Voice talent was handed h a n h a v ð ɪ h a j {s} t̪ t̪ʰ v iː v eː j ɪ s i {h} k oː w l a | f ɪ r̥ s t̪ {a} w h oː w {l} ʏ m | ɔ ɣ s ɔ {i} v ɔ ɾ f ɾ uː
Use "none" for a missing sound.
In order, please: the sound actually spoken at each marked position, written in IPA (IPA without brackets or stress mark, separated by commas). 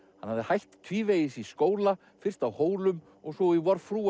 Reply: h, s, a, l, i